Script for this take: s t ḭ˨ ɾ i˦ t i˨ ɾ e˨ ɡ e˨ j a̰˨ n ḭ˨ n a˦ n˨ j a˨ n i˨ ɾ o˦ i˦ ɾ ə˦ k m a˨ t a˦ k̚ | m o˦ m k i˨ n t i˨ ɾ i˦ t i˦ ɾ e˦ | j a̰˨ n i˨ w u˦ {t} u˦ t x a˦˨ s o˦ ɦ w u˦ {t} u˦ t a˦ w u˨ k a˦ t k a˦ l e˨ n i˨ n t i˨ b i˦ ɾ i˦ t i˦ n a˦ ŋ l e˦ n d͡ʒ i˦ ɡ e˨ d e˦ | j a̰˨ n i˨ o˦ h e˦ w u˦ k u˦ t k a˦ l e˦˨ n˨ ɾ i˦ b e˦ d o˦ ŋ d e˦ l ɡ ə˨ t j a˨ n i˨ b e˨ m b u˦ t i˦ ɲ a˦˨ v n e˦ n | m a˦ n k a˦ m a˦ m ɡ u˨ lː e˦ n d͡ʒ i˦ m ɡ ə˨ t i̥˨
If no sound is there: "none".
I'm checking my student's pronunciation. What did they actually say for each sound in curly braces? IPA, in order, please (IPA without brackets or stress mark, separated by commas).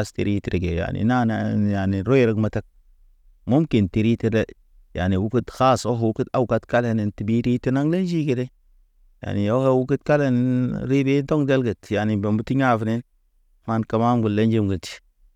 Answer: k, k